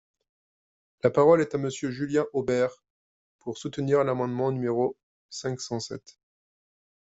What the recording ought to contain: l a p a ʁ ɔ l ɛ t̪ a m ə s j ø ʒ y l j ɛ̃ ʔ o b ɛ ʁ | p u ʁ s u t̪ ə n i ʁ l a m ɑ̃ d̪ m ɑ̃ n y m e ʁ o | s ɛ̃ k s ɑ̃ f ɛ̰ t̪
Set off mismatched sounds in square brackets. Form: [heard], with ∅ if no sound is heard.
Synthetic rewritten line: l a p a ʁ ɔ l ɛ t̪ a m ə s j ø ʒ y l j ɛ̃ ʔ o b ɛ ʁ | p u ʁ s u t̪ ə n i ʁ l a m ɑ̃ d̪ m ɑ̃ n y m e ʁ o | s ɛ̃ k s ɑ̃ [s] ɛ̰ t̪